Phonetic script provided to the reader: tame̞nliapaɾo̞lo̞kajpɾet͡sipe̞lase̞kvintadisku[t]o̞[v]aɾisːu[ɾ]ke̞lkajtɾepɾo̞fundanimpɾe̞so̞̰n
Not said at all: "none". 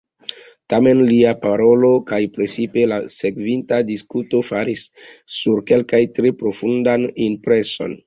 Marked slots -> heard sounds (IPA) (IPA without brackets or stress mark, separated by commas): t, f, ɾ